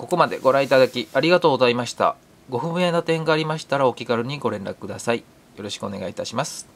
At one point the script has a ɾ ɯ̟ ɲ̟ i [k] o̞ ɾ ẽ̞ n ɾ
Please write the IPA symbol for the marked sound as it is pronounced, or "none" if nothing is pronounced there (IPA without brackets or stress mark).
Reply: ɡ